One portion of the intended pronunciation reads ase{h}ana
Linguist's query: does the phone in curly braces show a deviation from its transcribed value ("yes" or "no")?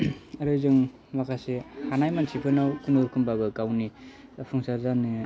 no